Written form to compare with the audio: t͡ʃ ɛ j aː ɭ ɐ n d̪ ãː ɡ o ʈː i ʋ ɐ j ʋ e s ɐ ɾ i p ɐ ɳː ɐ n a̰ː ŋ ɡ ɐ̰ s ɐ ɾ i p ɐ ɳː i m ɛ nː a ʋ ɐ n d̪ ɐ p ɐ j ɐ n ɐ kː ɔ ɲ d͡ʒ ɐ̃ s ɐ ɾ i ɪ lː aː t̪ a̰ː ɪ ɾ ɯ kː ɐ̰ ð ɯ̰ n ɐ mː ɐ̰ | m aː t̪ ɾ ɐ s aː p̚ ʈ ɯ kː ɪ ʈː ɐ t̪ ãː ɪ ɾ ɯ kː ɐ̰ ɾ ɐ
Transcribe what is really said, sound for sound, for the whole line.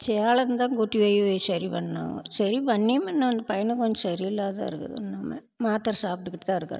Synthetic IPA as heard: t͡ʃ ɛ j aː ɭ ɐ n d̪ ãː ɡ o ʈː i ʋ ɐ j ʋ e s ɐ ɾ i p ɐ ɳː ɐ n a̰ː ŋ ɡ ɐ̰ s ɐ ɾ i p ɐ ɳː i m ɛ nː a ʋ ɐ n d̪ ɐ p ɐ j ɐ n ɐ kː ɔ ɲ d͡ʒ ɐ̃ s ɐ ɾ i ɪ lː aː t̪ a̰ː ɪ ɾ ɯ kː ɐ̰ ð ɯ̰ n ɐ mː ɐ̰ | m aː t̪ ɾ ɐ s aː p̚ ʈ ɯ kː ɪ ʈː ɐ t̪ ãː ɪ ɾ ɯ kː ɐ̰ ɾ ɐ